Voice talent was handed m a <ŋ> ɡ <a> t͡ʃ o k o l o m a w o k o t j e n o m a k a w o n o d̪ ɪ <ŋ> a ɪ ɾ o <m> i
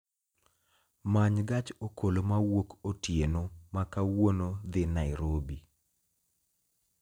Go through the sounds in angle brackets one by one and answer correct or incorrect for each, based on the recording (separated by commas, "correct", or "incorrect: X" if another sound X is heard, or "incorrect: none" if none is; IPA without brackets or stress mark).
incorrect: ɲ, correct, incorrect: n, incorrect: b